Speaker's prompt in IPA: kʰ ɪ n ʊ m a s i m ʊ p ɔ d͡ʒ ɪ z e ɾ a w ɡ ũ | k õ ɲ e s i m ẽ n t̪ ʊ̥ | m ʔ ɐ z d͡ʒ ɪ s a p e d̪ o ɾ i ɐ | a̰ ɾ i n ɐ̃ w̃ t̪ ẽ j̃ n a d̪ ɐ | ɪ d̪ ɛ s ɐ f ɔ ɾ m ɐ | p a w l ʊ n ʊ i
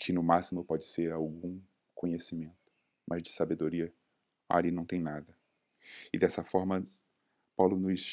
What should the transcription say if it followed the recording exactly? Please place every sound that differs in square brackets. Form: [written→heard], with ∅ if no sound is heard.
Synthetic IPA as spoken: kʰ ɪ n ʊ m a s i m ʊ p ɔ d͡ʒ ɪ [z→s] e ɾ a w ɡ ũ | k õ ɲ e s i m ẽ n t̪ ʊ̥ | m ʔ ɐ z d͡ʒ ɪ s a [p→b] e d̪ o ɾ i ɐ | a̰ ɾ i n ɐ̃ w̃ t̪ ẽ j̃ n a d̪ ɐ | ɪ d̪ ɛ s ɐ f ɔ ɾ m ɐ | p a w l ʊ n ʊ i